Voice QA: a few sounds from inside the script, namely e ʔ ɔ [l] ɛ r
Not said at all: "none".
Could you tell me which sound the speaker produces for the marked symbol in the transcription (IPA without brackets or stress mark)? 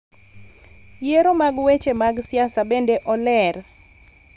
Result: l